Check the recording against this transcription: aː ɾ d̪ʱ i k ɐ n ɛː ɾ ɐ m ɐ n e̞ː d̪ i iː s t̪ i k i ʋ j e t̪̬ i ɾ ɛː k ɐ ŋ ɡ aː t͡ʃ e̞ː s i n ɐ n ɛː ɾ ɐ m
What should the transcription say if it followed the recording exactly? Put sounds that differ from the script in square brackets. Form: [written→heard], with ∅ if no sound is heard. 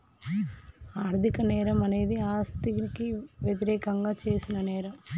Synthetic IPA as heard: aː ɾ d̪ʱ i k ɐ n ɛː ɾ ɐ m ɐ n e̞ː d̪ i [iː→aː] s t̪ i k i ʋ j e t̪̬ i ɾ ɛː k ɐ ŋ ɡ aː t͡ʃ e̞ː s i n ɐ n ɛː ɾ ɐ m

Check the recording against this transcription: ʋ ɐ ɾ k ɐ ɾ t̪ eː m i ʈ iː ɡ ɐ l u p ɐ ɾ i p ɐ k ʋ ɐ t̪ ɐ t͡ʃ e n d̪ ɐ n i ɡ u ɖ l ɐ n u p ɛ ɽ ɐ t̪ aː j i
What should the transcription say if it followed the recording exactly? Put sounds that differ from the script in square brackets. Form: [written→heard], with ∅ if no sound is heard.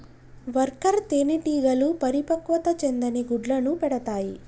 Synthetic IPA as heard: ʋ ɐ ɾ k ɐ ɾ t̪ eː [m→n] i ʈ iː ɡ ɐ l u p ɐ ɾ i p ɐ k ʋ ɐ t̪ ɐ t͡ʃ e n d̪ ɐ n i ɡ u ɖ l ɐ n u p ɛ ɽ ɐ t̪ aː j i

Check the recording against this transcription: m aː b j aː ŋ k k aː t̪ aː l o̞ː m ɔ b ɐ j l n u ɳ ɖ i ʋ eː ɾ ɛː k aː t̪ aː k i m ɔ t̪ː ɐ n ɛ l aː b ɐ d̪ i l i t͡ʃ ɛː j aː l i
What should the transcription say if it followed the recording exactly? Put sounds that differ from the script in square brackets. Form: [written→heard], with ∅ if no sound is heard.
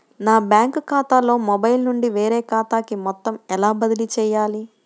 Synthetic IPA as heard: [m→n] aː b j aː ŋ k k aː t̪ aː l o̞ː m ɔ b ɐ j l n u ɳ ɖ i ʋ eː ɾ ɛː k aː t̪ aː k i m ɔ t̪ː ɐ [n→m] ɛ l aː b ɐ d̪ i l i t͡ʃ ɛː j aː l i

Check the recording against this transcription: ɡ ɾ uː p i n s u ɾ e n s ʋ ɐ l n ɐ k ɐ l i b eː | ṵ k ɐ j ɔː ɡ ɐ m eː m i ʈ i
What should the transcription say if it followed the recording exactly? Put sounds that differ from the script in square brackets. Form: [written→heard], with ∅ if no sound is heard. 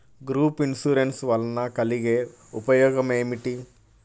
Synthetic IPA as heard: ɡ ɾ uː p i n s u ɾ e n s ʋ ɐ l n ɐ k ɐ l i [b→ɡ] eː | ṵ [k→p] ɐ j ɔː ɡ ɐ m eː m i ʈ i

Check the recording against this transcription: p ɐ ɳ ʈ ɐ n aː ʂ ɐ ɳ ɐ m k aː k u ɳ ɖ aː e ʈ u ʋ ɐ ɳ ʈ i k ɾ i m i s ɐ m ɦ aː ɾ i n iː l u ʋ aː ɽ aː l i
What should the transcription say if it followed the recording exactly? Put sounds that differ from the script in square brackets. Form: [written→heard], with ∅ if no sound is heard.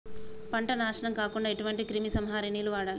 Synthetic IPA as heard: p ɐ ɳ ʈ ɐ n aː ʂ ɐ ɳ ɐ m k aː k u ɳ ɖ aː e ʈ u ʋ ɐ ɳ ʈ i k ɾ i m i s ɐ m ɦ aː ɾ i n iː l u ʋ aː ɽ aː l i

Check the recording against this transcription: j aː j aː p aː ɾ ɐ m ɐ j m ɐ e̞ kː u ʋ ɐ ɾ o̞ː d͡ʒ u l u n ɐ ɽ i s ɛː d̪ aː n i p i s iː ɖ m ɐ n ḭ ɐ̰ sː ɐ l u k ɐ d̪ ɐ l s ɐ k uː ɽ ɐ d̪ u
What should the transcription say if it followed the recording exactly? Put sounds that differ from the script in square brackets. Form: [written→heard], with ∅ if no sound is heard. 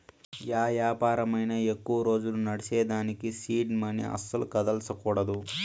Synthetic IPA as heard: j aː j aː p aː ɾ ɐ m ɐ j [m→n] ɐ e̞ kː u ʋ ɐ ɾ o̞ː d͡ʒ u l u n ɐ ɽ i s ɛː d̪ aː n i [p→k] i s iː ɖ m ɐ n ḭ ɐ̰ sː ɐ l u k ɐ d̪ ɐ l s ɐ k uː ɽ ɐ d̪ u

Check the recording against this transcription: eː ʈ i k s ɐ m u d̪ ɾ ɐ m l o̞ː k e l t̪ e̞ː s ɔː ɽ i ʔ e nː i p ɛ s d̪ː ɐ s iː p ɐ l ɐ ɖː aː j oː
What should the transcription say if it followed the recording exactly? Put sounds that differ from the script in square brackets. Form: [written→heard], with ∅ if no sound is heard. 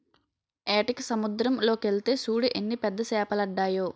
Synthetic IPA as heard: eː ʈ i k s ɐ m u d̪ ɾ ɐ m l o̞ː k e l t̪ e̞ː s [ɔː→uː] ɽ i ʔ e nː i p ɛ [s→∅] d̪ː ɐ s [iː→ɛː] p ɐ l ɐ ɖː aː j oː

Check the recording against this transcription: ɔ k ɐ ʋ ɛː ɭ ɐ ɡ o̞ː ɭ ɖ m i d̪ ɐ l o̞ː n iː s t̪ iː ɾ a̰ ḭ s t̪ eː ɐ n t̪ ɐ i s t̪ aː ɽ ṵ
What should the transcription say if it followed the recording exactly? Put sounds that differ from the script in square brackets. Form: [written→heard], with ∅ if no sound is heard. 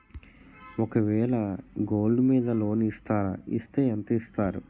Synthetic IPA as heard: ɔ k ɐ ʋ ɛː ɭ ɐ ɡ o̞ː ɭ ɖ m [i→iː] d̪ ɐ l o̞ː n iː s t̪ [iː→aː] ɾ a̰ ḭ s t̪ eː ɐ n t̪ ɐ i s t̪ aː [ɽ→ɾ] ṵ

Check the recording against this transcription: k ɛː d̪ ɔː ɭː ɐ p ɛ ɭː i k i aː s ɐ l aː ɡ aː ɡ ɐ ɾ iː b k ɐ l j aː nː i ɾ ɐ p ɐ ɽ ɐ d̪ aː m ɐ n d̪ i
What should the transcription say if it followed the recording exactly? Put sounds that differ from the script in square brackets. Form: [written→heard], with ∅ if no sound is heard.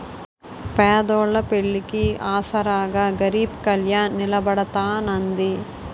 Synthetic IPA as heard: [k→p] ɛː d̪ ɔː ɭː ɐ p [ɛ→e] ɭː i k i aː s ɐ [l→ɾ] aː ɡ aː ɡ ɐ ɾ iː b k ɐ l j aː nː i [ɾ→l] ɐ [p→b] ɐ ɽ ɐ [d̪→t̪] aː [m→n] ɐ n d̪ i

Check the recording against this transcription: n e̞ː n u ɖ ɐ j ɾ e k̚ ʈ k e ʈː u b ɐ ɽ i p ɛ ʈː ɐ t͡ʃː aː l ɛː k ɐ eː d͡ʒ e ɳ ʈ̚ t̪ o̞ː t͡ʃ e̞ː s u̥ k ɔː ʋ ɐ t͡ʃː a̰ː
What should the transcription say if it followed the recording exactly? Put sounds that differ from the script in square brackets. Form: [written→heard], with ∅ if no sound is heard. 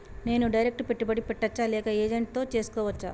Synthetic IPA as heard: n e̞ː n u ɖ ɐ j ɾ e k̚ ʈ [k→p] e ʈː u b ɐ ɽ i p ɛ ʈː ɐ t͡ʃː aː l ɛː k ɐ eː d͡ʒ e ɳ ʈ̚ t̪ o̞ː t͡ʃ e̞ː s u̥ k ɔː ʋ ɐ t͡ʃː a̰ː

